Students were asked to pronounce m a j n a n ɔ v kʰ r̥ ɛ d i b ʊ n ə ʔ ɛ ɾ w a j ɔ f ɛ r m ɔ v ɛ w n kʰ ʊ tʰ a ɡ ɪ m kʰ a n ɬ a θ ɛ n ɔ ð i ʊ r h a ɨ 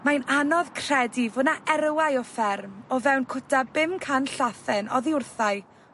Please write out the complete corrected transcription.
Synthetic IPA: m a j n a n ɔ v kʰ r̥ ɛ d i v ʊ n a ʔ ɛ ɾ w a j ɔ f ɛ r m ɔ v ɛ w n kʰ ʊ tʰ a b ɪ m kʰ a n ɬ a θ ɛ n ɔ ð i ʊ r θ a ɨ